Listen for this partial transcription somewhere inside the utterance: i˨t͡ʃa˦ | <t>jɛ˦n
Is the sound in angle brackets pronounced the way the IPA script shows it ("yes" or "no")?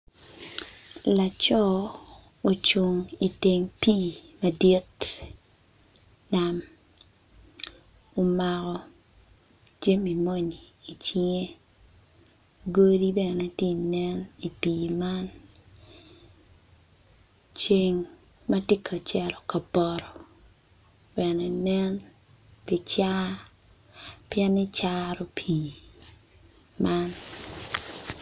no